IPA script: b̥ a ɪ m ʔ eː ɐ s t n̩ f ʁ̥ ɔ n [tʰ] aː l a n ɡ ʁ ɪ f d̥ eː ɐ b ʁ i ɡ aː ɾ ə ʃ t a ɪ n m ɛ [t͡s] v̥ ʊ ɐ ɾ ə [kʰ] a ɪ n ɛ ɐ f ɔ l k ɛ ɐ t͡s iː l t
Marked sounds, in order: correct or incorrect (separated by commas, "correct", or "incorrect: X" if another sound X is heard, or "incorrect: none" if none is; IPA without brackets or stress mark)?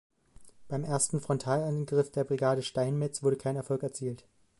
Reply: correct, correct, correct